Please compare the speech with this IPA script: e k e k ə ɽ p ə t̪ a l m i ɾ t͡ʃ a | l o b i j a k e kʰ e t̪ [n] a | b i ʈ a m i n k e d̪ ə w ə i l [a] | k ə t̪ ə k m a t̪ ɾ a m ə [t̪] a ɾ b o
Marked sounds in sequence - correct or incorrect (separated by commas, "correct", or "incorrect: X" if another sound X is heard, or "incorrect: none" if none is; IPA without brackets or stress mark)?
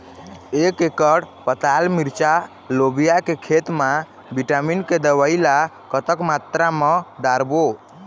incorrect: m, correct, incorrect: d̪